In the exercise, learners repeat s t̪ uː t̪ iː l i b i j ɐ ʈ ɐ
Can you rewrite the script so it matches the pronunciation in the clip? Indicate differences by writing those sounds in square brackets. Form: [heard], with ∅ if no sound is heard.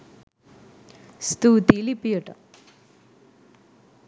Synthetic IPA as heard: s t̪ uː t̪ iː l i [p] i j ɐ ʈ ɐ